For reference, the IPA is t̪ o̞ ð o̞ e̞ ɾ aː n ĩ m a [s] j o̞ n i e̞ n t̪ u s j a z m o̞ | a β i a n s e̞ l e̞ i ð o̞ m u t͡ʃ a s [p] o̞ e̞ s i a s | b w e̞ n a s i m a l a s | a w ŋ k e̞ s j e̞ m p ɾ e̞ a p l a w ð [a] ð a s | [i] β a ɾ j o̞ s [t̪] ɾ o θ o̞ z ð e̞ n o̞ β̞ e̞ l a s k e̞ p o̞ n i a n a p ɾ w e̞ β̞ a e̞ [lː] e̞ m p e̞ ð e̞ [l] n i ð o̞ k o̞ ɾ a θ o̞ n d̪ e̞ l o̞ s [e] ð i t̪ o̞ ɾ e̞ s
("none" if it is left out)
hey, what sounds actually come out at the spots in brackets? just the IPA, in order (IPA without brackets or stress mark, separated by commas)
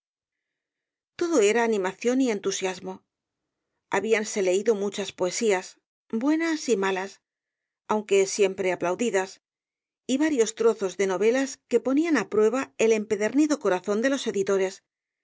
θ, p, i, i, t̪, l, ɾ, e